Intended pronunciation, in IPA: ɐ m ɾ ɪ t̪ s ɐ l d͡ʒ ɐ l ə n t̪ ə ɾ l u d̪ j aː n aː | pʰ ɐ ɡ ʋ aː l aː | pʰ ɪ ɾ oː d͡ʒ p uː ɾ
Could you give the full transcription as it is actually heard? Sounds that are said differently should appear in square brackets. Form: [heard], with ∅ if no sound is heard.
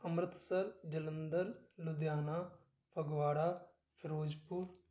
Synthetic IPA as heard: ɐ m ɾ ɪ t̪ s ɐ [ɾ] d͡ʒ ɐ l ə n [d̪] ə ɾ l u d̪ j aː n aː | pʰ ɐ ɡ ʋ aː [ɽ] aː | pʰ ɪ ɾ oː d͡ʒ p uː ɾ